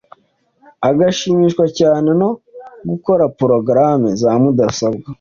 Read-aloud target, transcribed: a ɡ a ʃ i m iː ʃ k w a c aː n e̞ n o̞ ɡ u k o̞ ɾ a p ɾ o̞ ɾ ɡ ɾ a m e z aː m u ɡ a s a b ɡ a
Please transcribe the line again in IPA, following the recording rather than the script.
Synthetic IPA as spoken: a ɡ a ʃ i m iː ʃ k w a c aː n e̞ n o̞ ɡ u k o̞ ɾ a p ɾ o̞ ɡ ɾ a m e z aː m u d a s a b ɡ a